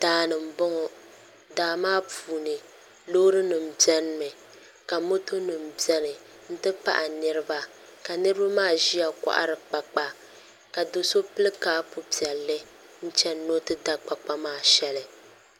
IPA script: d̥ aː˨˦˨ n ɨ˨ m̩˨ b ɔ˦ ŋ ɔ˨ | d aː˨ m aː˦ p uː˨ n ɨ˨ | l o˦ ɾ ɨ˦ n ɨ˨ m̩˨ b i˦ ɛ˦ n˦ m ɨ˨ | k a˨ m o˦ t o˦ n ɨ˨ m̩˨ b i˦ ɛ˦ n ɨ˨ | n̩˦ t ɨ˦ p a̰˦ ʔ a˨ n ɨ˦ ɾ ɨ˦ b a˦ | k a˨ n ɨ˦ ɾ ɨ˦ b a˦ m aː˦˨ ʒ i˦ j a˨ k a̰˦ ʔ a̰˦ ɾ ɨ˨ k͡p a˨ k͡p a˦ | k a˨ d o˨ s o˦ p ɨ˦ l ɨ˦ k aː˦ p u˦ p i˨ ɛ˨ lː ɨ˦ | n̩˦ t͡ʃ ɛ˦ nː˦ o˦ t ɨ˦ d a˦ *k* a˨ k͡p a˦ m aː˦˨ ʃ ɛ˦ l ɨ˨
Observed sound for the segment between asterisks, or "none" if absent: k͡p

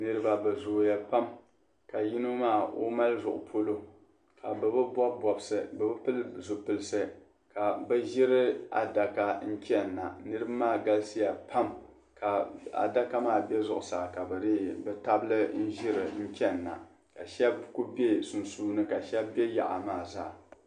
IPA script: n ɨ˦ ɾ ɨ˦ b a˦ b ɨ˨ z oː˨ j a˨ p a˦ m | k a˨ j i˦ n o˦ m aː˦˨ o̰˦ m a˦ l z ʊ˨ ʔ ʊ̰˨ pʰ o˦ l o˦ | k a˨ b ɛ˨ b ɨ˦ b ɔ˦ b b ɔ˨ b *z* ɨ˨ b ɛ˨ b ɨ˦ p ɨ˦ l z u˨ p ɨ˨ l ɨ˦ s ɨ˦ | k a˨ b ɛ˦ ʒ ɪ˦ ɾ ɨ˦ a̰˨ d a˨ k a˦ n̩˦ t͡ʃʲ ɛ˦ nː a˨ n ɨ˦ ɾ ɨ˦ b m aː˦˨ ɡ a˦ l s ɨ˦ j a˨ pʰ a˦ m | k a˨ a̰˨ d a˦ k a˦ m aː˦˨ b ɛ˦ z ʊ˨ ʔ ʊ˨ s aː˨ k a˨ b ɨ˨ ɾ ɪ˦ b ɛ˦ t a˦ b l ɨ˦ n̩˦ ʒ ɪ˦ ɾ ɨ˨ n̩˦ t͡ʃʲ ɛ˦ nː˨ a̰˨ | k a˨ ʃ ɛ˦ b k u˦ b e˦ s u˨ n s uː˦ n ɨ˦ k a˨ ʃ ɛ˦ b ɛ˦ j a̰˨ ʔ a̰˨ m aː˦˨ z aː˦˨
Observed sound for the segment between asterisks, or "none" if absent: s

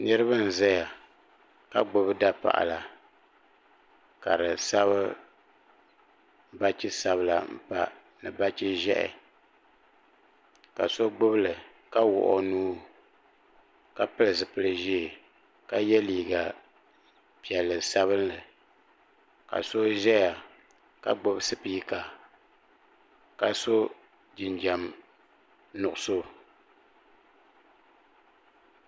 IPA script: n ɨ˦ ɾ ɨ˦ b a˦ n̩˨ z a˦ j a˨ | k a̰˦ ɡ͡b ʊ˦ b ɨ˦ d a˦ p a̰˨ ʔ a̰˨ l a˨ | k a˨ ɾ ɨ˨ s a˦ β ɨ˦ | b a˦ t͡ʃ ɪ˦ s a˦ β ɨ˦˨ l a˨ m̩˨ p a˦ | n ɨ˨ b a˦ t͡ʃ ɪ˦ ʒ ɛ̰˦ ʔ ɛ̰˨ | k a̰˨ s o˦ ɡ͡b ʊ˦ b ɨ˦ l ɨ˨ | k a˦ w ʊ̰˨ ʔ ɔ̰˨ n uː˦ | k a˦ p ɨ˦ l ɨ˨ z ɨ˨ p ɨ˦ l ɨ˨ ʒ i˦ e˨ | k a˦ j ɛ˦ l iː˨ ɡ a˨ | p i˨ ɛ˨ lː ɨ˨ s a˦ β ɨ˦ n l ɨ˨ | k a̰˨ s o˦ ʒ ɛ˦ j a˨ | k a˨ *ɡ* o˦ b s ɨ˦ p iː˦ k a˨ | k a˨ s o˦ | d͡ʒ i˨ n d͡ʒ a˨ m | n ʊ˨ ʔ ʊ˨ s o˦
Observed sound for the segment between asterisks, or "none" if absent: ɡ͡b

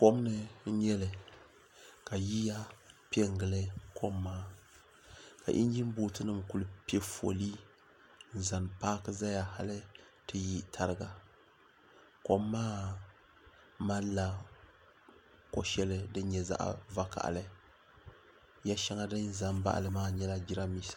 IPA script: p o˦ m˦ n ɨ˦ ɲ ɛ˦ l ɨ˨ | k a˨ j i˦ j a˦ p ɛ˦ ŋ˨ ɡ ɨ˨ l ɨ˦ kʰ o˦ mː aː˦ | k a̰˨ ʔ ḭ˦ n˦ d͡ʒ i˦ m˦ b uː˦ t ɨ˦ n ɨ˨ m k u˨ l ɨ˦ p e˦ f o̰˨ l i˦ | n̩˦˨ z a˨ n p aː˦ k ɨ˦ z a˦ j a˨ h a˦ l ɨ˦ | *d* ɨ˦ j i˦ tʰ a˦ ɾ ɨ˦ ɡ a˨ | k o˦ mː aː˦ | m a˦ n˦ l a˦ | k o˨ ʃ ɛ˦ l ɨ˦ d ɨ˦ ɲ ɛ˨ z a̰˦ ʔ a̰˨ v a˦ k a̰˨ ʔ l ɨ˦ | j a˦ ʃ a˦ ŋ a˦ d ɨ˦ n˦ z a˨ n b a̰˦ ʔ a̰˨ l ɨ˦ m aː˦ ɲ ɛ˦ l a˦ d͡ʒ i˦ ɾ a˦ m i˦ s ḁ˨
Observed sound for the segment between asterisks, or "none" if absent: t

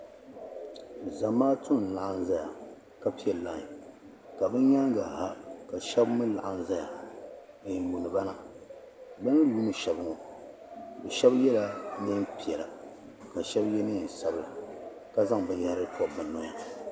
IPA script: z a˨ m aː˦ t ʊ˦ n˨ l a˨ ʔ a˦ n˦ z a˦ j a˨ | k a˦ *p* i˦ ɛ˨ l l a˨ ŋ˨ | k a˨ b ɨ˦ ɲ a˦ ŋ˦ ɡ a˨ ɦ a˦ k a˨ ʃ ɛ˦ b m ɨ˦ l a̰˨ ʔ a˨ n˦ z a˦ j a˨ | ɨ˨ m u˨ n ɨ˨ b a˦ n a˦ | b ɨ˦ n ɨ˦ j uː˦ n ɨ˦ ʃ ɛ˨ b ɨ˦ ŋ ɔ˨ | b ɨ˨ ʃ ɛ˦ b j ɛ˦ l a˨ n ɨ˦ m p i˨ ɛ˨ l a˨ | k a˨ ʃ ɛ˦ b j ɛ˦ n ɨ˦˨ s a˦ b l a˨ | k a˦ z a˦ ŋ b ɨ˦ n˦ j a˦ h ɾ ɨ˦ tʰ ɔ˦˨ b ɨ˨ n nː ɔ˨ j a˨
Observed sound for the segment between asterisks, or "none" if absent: p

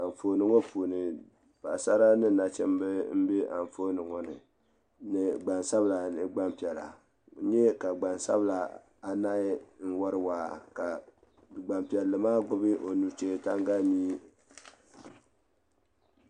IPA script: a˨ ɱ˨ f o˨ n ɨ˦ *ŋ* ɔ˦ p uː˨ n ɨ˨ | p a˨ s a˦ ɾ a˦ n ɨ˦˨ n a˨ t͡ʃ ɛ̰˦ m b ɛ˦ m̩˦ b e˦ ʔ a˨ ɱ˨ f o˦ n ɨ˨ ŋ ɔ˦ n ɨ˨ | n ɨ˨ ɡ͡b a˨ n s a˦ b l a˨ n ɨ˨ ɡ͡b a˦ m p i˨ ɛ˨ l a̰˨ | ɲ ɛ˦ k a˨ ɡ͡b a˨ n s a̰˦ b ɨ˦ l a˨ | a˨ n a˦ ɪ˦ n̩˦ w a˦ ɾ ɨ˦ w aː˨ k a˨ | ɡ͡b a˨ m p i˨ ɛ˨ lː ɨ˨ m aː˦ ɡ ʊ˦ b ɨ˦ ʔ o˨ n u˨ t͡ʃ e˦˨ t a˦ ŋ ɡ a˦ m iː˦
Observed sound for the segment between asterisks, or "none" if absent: ŋ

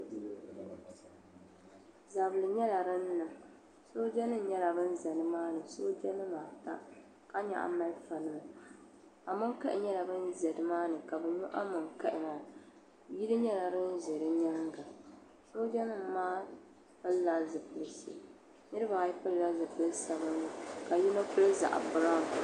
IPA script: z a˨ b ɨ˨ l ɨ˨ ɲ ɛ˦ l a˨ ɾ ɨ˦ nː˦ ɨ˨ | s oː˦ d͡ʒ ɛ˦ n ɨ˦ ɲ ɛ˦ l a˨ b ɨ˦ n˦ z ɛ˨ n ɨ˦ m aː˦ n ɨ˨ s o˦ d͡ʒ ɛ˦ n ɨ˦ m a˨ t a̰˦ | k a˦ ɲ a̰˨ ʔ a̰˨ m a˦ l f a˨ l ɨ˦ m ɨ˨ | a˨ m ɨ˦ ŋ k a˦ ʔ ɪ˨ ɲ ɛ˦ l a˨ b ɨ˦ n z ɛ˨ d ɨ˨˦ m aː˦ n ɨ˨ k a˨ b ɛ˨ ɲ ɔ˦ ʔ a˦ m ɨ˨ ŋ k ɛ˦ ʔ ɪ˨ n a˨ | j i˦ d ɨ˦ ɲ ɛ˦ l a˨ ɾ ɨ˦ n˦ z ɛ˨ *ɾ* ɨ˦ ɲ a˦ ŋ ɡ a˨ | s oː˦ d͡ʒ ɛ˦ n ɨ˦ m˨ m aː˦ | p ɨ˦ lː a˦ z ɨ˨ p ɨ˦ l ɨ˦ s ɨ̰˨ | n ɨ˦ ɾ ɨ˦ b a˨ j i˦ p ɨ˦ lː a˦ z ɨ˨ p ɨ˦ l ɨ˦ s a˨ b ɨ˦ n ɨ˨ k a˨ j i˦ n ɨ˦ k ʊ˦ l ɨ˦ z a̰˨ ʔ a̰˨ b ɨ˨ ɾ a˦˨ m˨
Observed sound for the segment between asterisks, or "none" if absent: ɾ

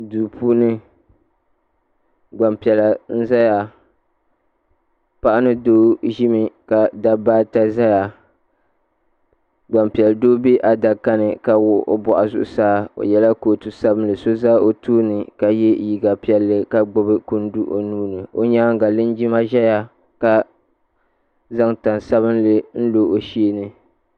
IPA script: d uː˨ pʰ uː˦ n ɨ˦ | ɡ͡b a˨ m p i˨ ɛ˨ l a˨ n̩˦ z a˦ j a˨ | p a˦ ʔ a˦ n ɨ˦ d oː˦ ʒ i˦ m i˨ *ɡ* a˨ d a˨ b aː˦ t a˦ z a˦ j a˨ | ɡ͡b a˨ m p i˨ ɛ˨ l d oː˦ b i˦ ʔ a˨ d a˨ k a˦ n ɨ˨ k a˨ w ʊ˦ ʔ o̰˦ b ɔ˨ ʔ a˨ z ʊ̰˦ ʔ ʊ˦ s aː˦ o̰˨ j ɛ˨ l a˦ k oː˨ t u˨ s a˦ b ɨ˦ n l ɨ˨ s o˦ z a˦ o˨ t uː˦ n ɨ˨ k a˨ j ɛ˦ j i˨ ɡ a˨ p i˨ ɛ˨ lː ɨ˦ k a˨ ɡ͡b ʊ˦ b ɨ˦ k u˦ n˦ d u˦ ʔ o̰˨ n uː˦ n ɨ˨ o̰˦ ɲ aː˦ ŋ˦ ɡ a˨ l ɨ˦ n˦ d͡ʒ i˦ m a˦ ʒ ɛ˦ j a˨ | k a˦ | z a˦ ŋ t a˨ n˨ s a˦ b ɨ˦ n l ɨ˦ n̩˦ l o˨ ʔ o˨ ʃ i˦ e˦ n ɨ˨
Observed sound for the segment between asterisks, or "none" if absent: k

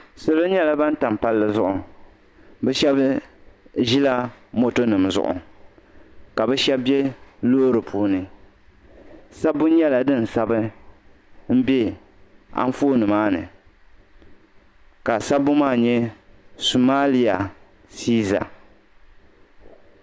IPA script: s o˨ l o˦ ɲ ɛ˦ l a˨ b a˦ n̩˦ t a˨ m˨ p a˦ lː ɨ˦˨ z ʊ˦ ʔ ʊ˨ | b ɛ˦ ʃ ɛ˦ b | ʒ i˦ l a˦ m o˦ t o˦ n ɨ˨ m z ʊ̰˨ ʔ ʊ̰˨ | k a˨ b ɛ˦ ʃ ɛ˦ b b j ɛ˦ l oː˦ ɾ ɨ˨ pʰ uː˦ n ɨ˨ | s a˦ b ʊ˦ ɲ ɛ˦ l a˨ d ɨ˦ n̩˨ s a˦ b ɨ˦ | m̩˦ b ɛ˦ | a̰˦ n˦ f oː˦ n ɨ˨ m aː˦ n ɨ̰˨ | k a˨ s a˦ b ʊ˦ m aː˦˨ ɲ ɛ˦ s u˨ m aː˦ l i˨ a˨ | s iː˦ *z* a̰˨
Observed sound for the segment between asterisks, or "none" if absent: z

